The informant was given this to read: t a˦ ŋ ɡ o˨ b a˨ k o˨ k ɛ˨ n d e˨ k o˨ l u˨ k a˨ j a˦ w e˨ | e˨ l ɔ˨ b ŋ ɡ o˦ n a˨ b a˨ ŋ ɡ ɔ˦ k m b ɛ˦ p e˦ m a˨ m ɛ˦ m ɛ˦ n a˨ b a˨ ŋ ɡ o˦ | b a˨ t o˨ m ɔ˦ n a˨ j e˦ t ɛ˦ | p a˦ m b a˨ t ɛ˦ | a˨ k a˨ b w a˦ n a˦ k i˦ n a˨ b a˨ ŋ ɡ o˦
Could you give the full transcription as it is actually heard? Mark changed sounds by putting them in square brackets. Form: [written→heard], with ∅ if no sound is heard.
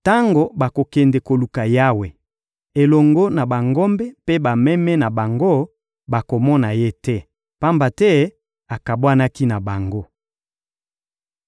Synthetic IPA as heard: t a˦ ŋ ɡ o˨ b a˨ k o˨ k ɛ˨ n d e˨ k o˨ l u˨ k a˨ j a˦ w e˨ | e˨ l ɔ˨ [b→∅] ŋ ɡ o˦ n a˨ b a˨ ŋ ɡ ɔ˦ [k→∅] m b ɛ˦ p e˦ [m→b] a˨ m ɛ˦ m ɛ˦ n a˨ b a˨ ŋ ɡ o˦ | b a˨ [t→k] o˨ m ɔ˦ n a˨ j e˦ t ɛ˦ | p a˦ m b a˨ t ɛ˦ | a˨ k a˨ b w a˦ n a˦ k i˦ n a˨ b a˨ ŋ ɡ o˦